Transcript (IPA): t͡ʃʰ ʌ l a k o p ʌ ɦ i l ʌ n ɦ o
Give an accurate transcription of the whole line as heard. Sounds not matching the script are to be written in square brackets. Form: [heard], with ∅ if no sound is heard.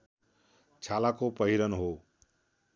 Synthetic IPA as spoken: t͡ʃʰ [a] l a k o p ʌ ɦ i [ɾ] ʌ n ɦ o